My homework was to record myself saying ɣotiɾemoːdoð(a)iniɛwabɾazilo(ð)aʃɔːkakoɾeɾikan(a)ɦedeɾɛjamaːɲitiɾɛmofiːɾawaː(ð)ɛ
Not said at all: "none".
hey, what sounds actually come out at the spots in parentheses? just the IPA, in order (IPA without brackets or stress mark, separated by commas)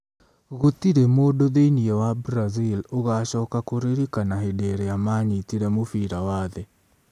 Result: e, ɣ, a, ð